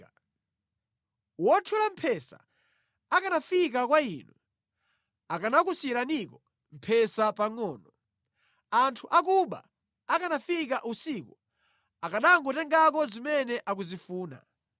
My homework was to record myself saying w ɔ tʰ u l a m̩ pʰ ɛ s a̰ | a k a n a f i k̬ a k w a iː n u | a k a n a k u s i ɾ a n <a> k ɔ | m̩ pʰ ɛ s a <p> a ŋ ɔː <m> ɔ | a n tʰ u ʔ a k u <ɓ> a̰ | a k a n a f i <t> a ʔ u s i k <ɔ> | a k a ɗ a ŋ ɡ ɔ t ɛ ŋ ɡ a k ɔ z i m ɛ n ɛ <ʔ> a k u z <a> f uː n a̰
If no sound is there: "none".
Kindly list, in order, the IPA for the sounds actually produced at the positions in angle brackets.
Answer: i, p, n, ɓ, k, u, ʔ, i

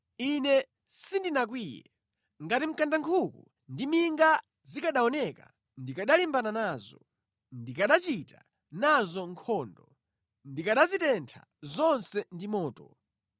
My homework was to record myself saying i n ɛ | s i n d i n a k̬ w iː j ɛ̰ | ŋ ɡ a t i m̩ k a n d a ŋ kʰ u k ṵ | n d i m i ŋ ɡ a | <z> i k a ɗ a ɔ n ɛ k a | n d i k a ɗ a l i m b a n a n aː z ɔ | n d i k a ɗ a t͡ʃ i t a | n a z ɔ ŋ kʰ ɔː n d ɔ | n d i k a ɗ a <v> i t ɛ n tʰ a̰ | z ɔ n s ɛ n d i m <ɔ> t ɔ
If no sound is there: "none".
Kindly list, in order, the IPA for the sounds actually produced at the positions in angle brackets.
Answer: z, z, ɔː

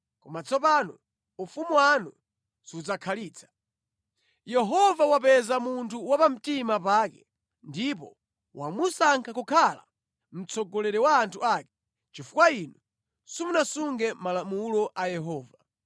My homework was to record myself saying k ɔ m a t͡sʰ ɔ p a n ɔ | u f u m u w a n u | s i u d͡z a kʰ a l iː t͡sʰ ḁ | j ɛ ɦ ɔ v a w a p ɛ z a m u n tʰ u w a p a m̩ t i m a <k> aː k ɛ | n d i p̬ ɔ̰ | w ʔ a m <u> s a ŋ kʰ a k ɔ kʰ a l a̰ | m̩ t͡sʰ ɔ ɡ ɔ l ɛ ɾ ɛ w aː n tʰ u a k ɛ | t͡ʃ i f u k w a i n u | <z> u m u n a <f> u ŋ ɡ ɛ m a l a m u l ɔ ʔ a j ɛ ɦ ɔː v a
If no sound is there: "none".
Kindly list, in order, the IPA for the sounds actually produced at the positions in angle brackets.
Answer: p, u, s, s

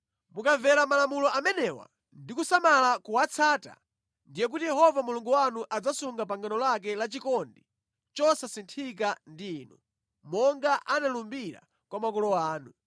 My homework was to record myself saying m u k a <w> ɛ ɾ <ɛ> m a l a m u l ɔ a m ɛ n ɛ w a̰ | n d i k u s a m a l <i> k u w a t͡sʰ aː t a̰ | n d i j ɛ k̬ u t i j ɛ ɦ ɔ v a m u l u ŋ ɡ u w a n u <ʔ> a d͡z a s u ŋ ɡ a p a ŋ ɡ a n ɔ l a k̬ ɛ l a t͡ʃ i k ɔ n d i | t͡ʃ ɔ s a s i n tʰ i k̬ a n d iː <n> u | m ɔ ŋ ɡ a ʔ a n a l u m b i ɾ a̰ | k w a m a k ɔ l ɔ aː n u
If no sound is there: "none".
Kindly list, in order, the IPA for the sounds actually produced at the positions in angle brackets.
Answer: v, a, a, ʔ, n

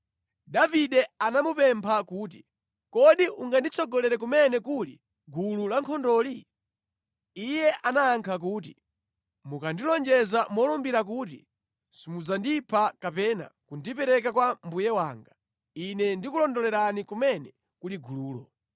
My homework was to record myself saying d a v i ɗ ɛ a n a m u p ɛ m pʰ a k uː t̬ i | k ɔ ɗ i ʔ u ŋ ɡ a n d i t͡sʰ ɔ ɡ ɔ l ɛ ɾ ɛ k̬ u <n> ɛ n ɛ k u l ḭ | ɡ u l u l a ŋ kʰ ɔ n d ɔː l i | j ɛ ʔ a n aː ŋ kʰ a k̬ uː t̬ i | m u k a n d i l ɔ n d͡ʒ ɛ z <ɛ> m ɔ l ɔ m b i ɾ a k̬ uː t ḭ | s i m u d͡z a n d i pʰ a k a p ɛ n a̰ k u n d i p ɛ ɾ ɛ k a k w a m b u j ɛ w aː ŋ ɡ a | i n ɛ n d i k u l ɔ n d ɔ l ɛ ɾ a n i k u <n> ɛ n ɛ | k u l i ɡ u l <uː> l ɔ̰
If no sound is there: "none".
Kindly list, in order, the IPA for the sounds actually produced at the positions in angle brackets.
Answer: m, a, m, uː

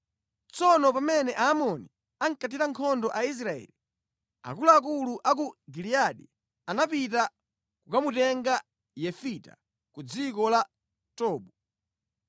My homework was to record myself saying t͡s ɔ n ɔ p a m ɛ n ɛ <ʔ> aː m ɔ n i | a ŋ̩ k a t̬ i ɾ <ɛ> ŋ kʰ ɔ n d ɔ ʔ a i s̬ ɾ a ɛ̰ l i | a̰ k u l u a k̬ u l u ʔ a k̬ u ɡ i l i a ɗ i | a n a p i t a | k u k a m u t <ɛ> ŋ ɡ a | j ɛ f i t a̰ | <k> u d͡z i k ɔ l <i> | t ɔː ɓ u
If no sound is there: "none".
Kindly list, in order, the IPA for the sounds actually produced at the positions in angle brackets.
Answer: ʔ, a, ɛ, k, a

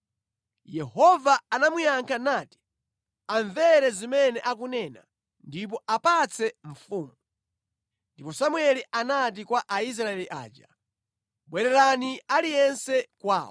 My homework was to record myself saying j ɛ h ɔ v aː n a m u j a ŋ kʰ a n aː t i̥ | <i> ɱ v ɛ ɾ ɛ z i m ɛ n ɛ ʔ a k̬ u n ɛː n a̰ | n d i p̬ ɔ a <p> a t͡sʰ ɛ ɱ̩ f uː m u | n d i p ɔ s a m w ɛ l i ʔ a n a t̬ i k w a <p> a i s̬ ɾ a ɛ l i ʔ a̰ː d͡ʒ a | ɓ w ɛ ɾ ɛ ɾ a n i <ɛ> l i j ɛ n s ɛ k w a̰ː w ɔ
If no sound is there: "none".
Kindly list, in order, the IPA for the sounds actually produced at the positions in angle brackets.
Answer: a, p, ʔ, a

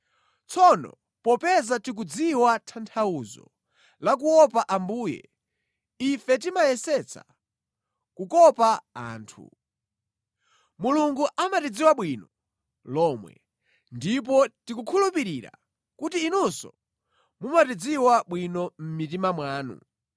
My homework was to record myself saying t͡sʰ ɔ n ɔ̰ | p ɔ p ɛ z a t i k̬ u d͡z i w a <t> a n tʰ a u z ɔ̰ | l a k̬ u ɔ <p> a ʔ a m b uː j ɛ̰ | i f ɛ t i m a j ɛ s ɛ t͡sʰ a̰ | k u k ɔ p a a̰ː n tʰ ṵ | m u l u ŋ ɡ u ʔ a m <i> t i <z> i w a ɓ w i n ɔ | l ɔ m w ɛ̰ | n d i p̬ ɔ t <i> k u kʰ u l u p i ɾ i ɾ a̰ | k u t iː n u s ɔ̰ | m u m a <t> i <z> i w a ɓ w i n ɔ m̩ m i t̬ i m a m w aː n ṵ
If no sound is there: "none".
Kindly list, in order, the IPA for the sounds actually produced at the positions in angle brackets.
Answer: tʰ, p, a, d͡z, i, t, d͡z

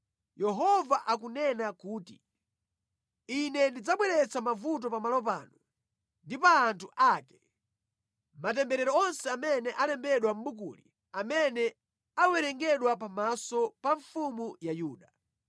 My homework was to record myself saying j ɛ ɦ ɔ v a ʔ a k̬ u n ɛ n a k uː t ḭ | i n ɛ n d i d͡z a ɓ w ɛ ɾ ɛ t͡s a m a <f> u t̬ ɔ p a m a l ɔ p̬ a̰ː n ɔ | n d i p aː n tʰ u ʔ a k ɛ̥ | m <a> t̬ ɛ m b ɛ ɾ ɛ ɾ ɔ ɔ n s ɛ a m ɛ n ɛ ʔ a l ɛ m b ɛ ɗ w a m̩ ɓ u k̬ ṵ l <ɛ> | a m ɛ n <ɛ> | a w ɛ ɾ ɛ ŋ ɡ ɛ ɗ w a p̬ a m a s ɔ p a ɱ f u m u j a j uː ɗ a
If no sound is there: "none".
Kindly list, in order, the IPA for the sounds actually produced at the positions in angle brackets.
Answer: v, a, i, ɛ

